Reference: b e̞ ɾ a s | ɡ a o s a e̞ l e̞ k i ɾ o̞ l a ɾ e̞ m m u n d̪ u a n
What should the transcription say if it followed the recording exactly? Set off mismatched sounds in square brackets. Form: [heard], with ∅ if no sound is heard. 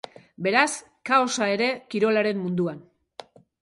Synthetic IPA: b e̞ ɾ a s | [k] a o s a e̞ [ɾ] e̞ k i ɾ o̞ l a ɾ e̞ m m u n d̪ u a n

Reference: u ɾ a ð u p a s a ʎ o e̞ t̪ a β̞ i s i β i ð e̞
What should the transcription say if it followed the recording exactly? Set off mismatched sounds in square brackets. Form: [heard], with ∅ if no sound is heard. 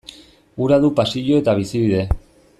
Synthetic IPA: u ɾ a ð u p a s [i] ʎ o e̞ t̪ a β̞ i s i β i ð e̞

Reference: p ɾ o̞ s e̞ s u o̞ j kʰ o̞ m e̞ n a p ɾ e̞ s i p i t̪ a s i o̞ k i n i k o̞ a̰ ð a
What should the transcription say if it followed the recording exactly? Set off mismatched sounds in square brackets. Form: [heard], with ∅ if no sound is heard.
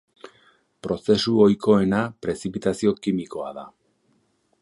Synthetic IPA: p ɾ o̞ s e̞ s u o̞ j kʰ o̞ [∅] e̞ n a p ɾ e̞ s i p i t̪ a s i o̞ k i [m] i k o̞ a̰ ð a

